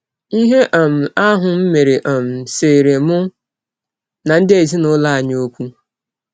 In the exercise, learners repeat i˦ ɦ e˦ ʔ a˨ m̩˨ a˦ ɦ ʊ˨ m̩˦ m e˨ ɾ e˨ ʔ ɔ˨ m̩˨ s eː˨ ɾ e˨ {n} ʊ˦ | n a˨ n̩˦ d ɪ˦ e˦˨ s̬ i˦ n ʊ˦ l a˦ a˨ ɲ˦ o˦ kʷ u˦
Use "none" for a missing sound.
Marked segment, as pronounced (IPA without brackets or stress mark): m